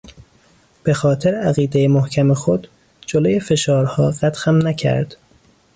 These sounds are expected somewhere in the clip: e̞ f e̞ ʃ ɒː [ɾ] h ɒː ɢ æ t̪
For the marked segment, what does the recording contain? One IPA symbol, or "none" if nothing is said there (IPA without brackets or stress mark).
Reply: ɾ